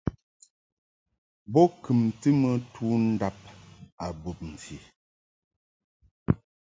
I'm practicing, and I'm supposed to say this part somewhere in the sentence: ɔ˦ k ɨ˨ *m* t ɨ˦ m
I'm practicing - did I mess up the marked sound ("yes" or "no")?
no